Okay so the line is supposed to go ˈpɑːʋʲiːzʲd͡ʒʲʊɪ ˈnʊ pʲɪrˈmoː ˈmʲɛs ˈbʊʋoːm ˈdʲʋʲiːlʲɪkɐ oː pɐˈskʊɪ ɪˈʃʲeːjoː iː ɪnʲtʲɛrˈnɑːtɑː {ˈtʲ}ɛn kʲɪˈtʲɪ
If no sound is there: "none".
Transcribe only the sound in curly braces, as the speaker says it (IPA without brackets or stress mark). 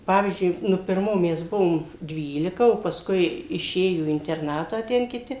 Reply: tʲ